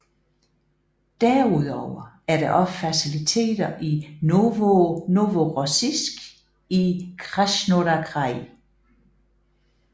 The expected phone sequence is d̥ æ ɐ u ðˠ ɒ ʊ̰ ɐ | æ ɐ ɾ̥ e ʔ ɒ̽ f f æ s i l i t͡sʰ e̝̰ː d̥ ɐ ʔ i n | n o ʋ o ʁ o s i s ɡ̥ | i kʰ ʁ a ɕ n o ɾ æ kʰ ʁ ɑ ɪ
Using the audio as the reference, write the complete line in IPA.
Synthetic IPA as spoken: d̥ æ ɐ u ðˠ ɒ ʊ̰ ɐ | æ ɐ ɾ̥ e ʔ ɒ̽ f f æ s i l i t͡sʰ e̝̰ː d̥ ɐ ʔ i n | n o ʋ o ʁ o s i s ɡ̥ | i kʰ ʁ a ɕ n o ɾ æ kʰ ʁ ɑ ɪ